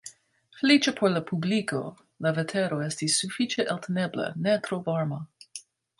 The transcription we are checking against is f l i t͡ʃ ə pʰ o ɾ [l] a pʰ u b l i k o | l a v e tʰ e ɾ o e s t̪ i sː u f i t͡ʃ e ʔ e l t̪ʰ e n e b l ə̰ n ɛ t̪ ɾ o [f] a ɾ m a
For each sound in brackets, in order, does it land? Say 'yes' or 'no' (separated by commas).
yes, no